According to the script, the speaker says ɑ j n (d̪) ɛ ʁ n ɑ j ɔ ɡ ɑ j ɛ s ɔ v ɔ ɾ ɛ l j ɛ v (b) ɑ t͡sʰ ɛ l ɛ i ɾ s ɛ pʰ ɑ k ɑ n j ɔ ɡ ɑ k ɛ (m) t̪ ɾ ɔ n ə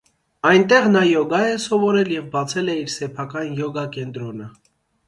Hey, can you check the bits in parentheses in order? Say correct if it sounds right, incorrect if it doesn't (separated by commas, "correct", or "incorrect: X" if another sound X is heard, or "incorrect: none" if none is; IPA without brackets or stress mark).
incorrect: t̪, correct, incorrect: n